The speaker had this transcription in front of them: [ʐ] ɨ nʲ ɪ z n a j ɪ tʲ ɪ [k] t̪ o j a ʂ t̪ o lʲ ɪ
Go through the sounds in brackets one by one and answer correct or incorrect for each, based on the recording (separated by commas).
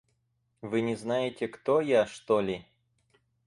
incorrect, correct